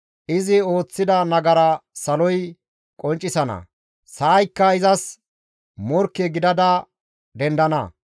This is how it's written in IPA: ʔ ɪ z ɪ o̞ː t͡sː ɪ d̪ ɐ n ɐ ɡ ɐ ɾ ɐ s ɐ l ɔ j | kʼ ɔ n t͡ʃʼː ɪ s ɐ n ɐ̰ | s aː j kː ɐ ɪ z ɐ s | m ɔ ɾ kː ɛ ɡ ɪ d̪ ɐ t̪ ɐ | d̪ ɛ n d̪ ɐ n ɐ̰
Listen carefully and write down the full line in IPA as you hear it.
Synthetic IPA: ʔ ɪ z ɪ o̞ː t͡sː ɪ d̪ ɐ n ɐ ɡ ɐ ɾ ɐ s ɐ l ɔ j | kʼ ɔ n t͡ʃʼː ɪ s ɐ n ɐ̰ | s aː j kː ɐ ɪ z ɐ s | m ɔ ɾ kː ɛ ɡ ɪ d̪ ɐ d̪ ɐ | d̪ ɛ n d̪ ɐ n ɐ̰